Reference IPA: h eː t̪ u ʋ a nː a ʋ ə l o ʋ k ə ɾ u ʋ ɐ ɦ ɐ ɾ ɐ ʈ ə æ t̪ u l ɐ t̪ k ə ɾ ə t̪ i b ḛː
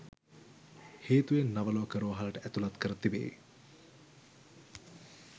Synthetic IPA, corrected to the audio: h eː t̪ u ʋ e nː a ʋ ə l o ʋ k ə ɾ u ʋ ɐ ɦ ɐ l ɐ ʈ ə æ t̪ u l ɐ t̪ k ə ɾ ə t̪ i b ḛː